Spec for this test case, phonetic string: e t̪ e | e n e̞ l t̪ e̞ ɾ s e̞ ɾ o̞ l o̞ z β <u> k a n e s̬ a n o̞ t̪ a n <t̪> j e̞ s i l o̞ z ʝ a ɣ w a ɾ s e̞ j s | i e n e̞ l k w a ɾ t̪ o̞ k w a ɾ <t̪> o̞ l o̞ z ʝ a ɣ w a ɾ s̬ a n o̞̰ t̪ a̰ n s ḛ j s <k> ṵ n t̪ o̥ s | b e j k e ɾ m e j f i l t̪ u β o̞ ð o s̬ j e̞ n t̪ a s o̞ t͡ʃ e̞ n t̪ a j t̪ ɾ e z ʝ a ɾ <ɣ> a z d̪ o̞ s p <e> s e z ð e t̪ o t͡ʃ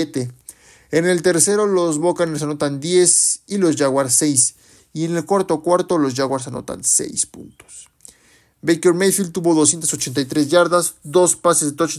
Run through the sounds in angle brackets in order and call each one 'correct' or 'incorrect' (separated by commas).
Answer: incorrect, incorrect, correct, incorrect, incorrect, incorrect